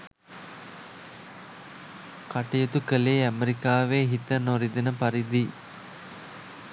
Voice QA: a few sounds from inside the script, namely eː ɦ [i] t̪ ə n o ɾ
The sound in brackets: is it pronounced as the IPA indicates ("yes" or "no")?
yes